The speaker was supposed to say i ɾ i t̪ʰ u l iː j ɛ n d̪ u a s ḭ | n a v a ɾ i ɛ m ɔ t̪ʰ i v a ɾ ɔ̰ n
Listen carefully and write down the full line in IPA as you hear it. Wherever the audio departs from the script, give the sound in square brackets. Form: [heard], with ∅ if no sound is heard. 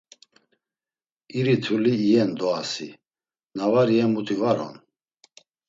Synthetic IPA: i ɾ i t̪ʰ u l iː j ɛ n d̪ [ɔ] a s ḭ | n a v a ɾ i ɛ m [u] t̪ʰ i v a ɾ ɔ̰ n